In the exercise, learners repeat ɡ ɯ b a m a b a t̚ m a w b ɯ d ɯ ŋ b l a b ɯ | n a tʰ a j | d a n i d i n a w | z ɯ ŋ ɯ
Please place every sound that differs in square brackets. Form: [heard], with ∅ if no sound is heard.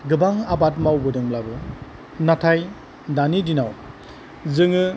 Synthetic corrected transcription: ɡ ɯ b a [ŋ] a b a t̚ m a w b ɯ d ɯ ŋ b l a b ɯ | n a tʰ a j | d a n i d i n a w | z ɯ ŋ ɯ